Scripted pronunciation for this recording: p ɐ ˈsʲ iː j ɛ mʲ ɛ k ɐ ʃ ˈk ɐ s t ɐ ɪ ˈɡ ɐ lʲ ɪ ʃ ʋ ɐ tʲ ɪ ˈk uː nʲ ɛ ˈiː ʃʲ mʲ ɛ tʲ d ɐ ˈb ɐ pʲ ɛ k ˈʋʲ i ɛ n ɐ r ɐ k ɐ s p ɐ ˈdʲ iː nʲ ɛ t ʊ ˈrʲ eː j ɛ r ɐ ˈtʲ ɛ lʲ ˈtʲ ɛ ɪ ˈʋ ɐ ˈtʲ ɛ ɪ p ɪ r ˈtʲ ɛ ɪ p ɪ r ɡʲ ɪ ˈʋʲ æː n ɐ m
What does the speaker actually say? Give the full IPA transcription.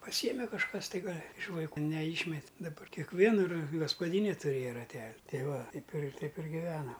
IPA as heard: p ɐ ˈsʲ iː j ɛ mʲ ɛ k ɐ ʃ ˈk ɐ s t ɐ ɪ ˈɡ ɐ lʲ ɪ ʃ ʋ ɐ ɪ ˈk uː nʲ ɛ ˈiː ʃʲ mʲ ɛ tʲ d ɐ ˈb ɐ kʲ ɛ k ˈʋʲ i ɛ n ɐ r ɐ ɡ ɐ s p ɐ ˈdʲ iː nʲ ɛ t ʊ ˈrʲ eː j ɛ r ɐ ˈtʲ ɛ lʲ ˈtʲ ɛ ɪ ˈʋ ɐ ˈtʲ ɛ ɪ p ɪ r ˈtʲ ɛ ɪ p ɪ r ɡʲ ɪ ˈʋʲ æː n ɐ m